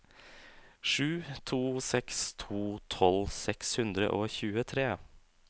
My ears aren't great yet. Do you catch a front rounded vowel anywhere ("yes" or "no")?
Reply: no